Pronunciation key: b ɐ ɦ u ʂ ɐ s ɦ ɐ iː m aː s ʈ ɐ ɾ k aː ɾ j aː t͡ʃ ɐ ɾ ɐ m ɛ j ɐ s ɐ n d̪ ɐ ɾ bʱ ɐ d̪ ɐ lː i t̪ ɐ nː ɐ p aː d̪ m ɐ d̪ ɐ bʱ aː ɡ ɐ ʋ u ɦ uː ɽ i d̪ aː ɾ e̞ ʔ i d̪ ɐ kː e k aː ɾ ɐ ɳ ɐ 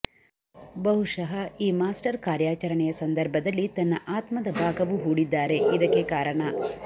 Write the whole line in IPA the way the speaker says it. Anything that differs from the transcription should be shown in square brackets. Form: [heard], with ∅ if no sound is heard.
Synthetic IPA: b ɐ ɦ u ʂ ɐ [∅] ɦ ɐ iː m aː s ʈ ɐ ɾ k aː ɾ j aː t͡ʃ ɐ ɾ ɐ [ɳ] ɛ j ɐ s ɐ n d̪ ɐ ɾ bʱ ɐ d̪ ɐ lː i t̪ ɐ nː ɐ [ʔ] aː [t̪] m ɐ d̪ ɐ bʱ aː ɡ ɐ ʋ u ɦ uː ɽ i [d̪ː] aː ɾ e̞ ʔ i d̪ ɐ kː e k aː ɾ ɐ ɳ ɐ